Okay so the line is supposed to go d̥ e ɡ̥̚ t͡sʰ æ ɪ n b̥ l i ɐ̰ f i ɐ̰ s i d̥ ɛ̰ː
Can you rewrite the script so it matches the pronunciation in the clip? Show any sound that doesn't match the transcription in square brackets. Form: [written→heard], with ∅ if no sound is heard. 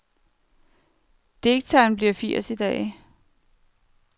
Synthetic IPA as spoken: d̥ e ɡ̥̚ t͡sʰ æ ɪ n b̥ l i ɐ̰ f i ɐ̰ s i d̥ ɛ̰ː